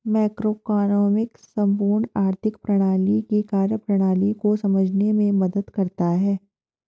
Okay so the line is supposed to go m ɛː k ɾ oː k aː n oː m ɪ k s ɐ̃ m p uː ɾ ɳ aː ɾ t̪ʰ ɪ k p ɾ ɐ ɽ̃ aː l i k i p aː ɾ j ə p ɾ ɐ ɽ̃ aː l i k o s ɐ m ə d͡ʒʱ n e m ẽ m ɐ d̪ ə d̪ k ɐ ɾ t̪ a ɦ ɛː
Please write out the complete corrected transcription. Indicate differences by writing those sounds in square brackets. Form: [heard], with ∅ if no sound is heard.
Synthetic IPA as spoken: m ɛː k ɾ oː k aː n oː m ɪ k s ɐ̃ m p uː ɾ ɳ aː ɾ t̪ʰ ɪ k p ɾ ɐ ɽ̃ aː l i k i [k] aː ɾ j ə p ɾ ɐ ɽ̃ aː l i k o s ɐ m ə d͡ʒʱ n e m ẽ m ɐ d̪ ə d̪ k ɐ ɾ t̪ a ɦ ɛː